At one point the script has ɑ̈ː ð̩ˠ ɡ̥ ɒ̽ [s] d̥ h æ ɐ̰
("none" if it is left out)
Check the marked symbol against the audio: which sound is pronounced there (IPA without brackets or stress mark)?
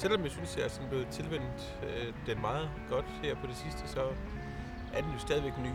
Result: none